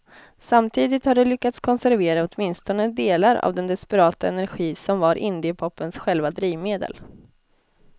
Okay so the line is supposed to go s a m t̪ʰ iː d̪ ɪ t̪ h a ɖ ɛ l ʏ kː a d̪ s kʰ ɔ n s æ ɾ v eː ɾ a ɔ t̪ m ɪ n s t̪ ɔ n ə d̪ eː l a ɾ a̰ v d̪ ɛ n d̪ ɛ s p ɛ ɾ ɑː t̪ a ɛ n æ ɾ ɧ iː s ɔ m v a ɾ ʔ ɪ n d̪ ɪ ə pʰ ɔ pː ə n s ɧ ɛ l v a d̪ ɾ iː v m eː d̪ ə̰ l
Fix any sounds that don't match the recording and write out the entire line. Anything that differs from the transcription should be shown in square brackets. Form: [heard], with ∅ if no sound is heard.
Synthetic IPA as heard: s a m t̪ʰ iː d̪ ɪ t̪ h a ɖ ɛ l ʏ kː a [t̪] s kʰ ɔ n s æ ɾ v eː ɾ a ɔ t̪ m ɪ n s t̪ ɔ n ə d̪ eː l a ɾ a̰ v d̪ ɛ n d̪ ɛ s p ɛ ɾ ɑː t̪ a ɛ n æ ɾ ɧ iː s ɔ m v a ɾ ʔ ɪ n d̪ ɪ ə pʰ ɔ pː ə n s ɧ ɛ l v a d̪ ɾ iː v m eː d̪ ə̰ l